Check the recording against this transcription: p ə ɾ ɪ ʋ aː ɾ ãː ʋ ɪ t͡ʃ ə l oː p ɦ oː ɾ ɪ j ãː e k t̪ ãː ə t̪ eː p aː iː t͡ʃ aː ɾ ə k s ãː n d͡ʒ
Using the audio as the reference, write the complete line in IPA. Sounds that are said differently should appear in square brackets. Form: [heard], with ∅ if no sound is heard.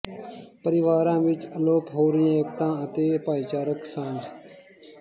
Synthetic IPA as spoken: p ə ɾ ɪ ʋ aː ɾ ãː ʋ ɪ t͡ʃ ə l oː p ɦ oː ɾ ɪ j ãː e k t̪ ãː ə t̪ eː p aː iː t͡ʃ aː ɾ ə k s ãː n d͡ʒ